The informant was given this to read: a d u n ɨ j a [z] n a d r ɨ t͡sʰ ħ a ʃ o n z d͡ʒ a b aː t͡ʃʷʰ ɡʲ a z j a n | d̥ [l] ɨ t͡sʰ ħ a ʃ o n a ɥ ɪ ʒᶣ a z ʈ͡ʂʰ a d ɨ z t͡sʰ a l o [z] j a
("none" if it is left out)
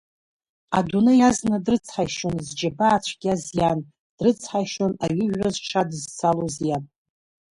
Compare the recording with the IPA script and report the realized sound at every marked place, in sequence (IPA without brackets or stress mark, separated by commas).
z, r, z